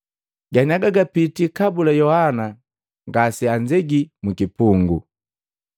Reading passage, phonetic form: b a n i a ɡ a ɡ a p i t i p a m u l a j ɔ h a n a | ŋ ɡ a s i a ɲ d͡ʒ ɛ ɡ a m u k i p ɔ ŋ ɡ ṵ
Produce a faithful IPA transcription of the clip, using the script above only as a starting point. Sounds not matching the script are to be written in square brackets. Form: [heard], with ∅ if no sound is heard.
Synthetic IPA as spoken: [ɡ] a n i a ɡ a ɡ a p i t i [k] a [b] u l a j ɔ h a n a | ŋ ɡ a s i a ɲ d͡ʒ ɛ ɡ [i] m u k i p [u] ŋ ɡ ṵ